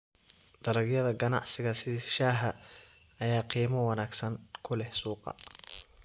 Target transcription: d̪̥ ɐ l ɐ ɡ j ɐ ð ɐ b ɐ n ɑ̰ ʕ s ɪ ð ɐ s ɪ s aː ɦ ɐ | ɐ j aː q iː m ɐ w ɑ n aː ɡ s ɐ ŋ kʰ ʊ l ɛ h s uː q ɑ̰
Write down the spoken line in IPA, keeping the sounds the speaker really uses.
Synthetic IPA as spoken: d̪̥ ɐ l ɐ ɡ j ɐ ð ɐ ɡ ɐ n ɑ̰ ʕ s ɪ ɣ ɐ s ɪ ʃ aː ɦ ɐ | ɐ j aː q iː m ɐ w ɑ n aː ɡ s ɐ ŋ kʰ ʊ l ɛ h s uː q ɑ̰